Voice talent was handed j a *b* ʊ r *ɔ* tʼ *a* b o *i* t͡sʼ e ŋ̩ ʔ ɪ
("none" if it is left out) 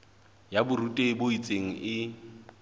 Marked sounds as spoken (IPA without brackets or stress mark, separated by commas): b, u, e, i